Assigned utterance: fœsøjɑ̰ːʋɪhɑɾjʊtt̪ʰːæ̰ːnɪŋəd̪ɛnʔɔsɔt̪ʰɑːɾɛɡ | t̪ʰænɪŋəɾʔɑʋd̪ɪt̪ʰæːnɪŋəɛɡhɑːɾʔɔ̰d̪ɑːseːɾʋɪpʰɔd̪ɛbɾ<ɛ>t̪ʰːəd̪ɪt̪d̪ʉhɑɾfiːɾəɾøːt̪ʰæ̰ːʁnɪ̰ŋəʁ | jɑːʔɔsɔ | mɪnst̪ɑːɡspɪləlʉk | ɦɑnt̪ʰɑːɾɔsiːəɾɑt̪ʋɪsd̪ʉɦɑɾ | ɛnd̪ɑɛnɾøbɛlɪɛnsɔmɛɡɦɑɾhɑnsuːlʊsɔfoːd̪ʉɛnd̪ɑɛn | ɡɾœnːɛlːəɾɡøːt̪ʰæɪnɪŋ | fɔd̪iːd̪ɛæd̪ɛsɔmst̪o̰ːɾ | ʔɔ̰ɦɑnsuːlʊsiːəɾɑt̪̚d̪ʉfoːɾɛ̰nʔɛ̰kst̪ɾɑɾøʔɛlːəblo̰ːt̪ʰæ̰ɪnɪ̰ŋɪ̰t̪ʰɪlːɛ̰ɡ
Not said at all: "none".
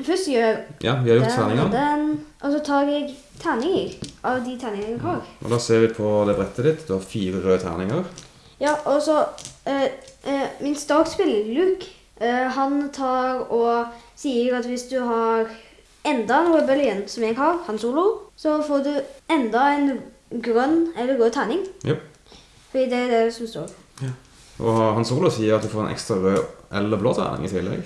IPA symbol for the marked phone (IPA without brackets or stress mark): ɛ